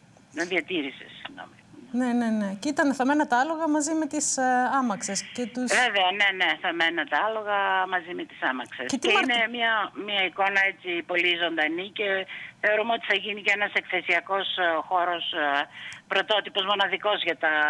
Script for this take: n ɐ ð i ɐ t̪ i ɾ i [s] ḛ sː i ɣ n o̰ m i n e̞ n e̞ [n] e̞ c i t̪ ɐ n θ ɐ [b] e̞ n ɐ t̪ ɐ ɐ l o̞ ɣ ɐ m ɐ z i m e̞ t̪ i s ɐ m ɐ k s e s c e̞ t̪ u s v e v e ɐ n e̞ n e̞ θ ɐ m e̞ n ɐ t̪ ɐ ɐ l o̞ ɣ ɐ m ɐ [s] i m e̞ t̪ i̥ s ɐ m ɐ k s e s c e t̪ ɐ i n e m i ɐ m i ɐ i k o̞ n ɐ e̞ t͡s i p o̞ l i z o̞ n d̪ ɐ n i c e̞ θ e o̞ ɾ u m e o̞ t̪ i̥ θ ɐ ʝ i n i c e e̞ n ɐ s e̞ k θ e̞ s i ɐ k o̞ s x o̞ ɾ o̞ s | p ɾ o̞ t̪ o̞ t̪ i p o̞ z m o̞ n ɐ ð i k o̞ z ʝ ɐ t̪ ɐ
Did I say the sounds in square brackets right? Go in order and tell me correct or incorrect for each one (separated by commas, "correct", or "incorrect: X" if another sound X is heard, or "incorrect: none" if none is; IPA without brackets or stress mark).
correct, correct, incorrect: m, incorrect: z